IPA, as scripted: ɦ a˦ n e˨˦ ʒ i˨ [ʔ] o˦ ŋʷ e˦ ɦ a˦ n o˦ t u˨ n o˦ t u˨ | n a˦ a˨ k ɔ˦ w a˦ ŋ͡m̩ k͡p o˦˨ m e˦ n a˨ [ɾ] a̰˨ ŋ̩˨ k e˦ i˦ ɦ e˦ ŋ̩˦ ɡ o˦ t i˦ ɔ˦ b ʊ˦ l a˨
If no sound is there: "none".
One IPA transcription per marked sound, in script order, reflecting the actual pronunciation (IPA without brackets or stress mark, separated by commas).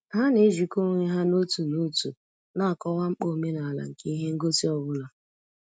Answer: k, l